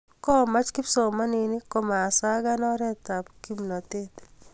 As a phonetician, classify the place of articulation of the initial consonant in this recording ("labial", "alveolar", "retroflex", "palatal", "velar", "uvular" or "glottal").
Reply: velar